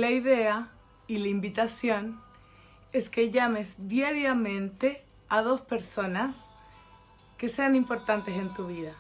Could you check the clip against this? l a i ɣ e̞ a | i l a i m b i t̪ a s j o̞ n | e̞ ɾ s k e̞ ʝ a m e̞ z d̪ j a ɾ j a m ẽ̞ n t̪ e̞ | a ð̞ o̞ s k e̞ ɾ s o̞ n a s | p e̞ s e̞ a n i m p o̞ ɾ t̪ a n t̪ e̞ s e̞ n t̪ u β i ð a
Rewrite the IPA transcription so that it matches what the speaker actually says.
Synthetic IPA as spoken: l a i ð e̞ a | i l a i m b i t̪ a s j o̞ n | e̞ s k e̞ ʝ a m e̞ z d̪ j a ɾ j a m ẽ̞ n t̪ e̞ | a ð̞ o̞ s p e̞ ɾ s o̞ n a s | k e̞ s e̞ a n i m p o̞ ɾ t̪ a n t̪ e̞ s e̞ n t̪ u β i ð a